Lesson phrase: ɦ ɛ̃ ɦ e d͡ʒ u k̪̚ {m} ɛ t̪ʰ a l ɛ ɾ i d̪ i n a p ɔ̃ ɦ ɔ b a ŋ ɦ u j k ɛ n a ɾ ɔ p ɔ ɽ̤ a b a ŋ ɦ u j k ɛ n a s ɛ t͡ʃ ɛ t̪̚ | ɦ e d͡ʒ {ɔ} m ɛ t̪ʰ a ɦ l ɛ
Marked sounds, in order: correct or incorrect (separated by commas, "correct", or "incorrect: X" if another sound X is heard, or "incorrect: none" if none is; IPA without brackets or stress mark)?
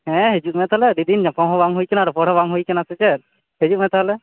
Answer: correct, incorrect: u